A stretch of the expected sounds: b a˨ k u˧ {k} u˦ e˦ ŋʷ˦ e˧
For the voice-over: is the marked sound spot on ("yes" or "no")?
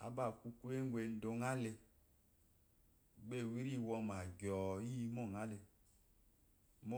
yes